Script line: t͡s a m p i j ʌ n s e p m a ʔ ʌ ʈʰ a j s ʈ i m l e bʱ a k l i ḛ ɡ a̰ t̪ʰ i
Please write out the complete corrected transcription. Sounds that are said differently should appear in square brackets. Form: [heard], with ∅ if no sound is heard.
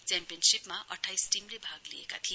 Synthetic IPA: t͡s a m p i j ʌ n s [i] p m a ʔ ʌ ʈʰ a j s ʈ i m l e bʱ a [ɡ] l i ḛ [k] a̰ t̪ʰ i